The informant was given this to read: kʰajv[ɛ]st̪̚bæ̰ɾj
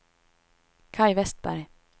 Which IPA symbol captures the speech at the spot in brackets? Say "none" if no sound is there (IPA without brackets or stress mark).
ɛ